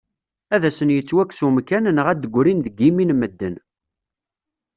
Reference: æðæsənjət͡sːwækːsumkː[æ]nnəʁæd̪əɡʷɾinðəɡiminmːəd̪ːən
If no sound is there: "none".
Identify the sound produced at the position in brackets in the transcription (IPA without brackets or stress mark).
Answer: æ